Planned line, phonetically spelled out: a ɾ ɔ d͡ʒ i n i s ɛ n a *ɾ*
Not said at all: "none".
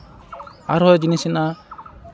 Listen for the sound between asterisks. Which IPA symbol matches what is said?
none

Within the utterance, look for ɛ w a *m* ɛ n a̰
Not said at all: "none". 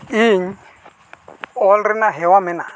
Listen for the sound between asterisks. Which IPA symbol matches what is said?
m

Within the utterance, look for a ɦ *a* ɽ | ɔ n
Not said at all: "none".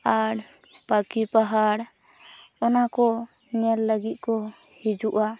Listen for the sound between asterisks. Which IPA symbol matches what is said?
a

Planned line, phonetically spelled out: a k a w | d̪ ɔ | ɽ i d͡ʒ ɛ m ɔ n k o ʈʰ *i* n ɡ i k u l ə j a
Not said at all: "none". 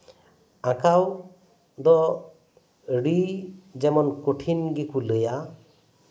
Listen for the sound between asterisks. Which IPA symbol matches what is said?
i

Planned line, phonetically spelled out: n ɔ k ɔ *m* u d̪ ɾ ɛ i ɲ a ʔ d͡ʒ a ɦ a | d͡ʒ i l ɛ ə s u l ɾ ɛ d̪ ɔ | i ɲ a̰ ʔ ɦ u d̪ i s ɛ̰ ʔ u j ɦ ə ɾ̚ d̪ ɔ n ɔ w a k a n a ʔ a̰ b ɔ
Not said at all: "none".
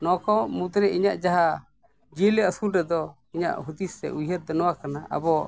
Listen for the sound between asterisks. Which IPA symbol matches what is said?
m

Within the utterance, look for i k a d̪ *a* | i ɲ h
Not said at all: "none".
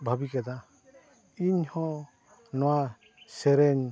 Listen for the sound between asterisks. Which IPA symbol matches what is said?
a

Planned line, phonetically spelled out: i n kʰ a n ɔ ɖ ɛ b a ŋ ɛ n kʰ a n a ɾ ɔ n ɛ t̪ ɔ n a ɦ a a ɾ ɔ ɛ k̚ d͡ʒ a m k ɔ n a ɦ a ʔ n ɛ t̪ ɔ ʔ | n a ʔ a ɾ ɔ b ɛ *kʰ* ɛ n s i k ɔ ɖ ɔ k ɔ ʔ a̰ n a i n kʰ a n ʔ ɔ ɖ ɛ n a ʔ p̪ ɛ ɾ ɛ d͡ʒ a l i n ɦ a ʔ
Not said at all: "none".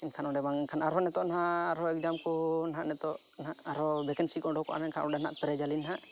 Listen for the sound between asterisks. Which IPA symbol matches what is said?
k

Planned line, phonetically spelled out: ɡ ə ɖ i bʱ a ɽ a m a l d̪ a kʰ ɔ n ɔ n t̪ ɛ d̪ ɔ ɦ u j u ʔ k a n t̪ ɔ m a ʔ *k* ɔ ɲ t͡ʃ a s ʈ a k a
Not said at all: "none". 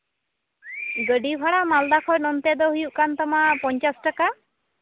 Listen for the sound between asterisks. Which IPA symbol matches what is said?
p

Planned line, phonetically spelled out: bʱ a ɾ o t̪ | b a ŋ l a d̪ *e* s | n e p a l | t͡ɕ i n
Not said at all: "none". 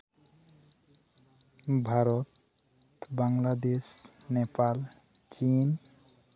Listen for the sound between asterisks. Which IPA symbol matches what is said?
e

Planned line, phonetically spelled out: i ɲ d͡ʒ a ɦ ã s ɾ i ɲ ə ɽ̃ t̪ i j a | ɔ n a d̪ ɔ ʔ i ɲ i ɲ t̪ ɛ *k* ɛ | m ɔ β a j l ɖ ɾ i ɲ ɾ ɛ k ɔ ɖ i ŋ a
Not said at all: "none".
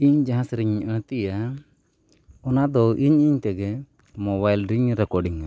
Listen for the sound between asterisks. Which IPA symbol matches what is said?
ɡ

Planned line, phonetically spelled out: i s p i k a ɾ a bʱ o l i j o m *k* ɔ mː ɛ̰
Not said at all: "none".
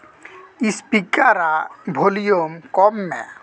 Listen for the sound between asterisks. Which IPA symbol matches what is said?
k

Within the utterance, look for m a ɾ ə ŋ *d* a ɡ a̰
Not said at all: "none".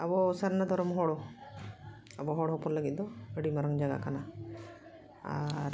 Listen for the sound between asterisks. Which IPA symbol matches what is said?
d͡ʒ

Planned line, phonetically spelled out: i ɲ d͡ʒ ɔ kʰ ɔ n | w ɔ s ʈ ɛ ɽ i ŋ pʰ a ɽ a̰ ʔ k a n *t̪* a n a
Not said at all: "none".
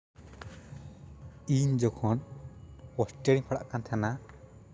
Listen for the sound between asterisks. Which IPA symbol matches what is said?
t̪ʰ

